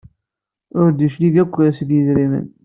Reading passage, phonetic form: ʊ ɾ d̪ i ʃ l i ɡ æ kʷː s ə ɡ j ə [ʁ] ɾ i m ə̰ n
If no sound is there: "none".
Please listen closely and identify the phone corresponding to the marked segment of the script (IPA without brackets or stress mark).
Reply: z